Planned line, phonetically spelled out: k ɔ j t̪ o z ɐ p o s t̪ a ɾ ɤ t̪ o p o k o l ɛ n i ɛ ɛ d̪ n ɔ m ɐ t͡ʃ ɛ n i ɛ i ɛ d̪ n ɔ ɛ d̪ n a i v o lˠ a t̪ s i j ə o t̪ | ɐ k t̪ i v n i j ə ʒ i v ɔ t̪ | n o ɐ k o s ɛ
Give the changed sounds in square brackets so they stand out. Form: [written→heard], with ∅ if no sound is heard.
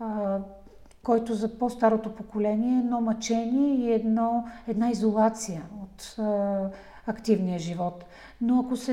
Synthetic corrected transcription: k ɔ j t̪ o z ɐ p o s t̪ a ɾ [ɤ→o] t̪ o p o k o l ɛ n i ɛ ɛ d̪ n ɔ m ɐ t͡ʃ ɛ n i ɛ i ɛ d̪ n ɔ ɛ d̪ n a i [v→z] o lˠ a t̪ s i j ə o t̪ | ɐ k t̪ i v n i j ə ʒ i v ɔ t̪ | n o ɐ k o s ɛ